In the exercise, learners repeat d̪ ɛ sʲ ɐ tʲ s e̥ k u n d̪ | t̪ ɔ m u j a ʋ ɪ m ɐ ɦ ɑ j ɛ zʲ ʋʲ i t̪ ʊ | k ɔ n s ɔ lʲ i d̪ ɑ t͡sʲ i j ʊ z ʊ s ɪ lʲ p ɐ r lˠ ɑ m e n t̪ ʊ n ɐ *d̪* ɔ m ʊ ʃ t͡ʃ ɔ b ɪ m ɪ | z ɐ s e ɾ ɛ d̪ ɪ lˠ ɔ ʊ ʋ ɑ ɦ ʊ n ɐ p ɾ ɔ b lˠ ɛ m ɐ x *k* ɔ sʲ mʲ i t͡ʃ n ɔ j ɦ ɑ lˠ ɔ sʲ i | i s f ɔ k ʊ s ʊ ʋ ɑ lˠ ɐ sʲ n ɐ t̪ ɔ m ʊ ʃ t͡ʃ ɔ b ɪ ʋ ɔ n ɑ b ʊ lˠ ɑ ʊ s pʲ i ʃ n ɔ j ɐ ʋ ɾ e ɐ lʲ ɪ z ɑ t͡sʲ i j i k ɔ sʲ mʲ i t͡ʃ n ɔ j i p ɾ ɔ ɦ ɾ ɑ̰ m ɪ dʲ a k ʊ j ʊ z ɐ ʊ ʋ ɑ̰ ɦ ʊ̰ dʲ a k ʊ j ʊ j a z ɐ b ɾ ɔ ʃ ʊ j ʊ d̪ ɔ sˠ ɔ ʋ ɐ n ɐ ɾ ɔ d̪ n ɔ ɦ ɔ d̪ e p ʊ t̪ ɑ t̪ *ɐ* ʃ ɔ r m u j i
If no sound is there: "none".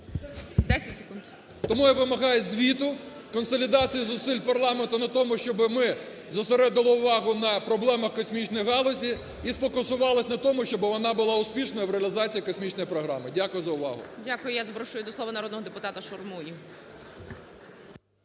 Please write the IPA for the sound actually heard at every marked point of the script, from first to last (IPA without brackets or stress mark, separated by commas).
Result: t̪, k, ɐ